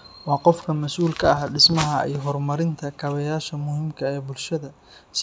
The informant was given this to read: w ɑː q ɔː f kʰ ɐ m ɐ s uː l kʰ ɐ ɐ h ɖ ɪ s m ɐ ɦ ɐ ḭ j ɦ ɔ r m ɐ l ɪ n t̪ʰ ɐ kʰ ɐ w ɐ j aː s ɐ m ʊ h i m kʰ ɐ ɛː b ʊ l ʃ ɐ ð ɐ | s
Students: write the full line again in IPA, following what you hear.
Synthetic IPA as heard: w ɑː q ɔ f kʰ ɐ m ɐ s uː l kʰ ɐ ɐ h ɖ ɪ s m ɐ ɦ ɐ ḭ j ɦ ɔ r m ɐ ɾ ɪ n t̪ʰ ɐ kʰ ɐ β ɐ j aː ʃ ɐ m ʊ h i m kʰ ɐ ɛː b ʊ l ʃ ɐ ð ɐ | s